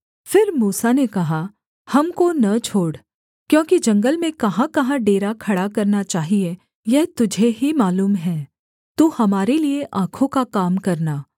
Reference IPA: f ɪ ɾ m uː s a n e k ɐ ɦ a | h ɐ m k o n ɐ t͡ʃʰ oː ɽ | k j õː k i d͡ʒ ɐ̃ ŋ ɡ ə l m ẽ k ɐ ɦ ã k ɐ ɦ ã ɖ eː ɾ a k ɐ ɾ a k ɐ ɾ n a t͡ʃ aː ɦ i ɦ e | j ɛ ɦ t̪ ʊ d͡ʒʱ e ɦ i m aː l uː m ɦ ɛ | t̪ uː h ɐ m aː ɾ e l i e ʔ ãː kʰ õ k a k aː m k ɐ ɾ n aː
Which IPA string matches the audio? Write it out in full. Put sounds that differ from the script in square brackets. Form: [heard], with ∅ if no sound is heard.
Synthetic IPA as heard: f ɪ ɾ m uː s a n e k ɐ ɦ a | h ɐ m k o n ɐ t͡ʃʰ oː ɽ | k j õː k i d͡ʒ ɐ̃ ŋ ɡ ə l m ẽ k ɐ ɦ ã k ɐ ɦ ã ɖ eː ɾ a [kʰ] ɐ [ɽ] a k ɐ ɾ n a t͡ʃ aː ɦ i [∅] e | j ɛ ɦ t̪ ʊ d͡ʒʱ e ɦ i m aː l uː m ɦ [ɛː] | t̪ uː h ɐ m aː ɾ e l i e ʔ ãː kʰ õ k a k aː m k ɐ ɾ n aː

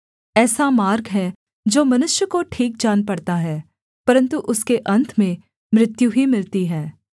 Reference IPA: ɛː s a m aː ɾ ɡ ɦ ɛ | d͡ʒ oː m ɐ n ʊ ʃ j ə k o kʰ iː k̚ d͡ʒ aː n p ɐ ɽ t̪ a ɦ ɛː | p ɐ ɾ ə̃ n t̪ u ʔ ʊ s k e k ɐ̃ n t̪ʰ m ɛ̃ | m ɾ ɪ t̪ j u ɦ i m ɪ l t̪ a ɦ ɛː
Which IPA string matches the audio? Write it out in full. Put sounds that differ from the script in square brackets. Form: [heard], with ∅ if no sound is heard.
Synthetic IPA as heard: ɛː s a m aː ɾ ɡ ɦ ɛ | d͡ʒ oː m ɐ n ʊ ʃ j ə k o [ʈʰ] iː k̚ d͡ʒ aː n p ɐ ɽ t̪ a ɦ ɛː | p ɐ ɾ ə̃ n t̪ u ʔ ʊ s k e [ʔ] ɐ̃ n t̪ʰ m [ẽ] | m ɾ ɪ t̪ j u ɦ i m ɪ l t̪ [i] ɦ ɛː

